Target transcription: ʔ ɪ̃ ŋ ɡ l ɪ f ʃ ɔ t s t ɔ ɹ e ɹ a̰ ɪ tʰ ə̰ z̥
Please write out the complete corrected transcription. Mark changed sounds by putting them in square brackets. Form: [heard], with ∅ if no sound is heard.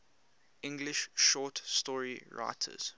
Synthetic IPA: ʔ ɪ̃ ŋ ɡ l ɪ [ʃ] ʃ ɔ t s t ɔ ɹ [i] ɹ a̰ ɪ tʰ ə̰ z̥